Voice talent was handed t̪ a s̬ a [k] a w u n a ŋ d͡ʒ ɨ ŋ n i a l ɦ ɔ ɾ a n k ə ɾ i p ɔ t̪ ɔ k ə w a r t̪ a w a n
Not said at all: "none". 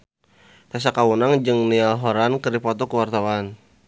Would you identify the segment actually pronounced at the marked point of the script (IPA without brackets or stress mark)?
k